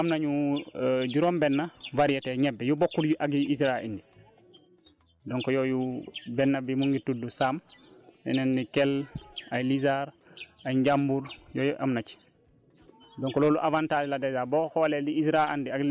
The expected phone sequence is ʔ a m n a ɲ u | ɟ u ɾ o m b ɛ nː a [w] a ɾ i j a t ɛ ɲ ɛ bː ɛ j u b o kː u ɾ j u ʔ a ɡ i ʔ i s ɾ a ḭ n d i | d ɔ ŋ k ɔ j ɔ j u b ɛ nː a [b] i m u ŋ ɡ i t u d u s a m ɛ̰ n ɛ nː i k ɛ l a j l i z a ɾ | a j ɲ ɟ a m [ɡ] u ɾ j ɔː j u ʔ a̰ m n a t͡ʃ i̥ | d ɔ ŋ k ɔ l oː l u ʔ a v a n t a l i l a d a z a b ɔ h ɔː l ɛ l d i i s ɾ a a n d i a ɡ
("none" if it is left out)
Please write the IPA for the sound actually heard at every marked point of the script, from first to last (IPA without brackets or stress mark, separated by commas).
v, b, b